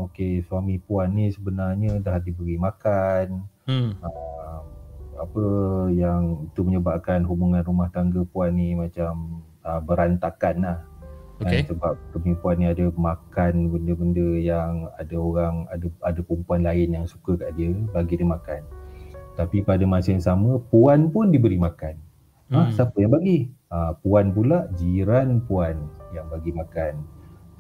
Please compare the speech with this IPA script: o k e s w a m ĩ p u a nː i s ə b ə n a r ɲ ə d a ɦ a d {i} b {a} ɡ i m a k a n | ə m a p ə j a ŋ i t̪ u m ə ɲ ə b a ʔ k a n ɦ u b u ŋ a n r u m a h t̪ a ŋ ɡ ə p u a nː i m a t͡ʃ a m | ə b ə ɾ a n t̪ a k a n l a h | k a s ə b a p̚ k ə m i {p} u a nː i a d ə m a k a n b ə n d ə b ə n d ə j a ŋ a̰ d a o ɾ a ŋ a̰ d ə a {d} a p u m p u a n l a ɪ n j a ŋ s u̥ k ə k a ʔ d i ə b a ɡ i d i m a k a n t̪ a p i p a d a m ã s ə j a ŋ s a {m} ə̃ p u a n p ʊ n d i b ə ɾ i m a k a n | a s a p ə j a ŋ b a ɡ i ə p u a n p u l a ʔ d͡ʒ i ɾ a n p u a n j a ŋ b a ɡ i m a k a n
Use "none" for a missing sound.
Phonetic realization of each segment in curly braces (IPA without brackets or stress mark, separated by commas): i, ə, p, d, m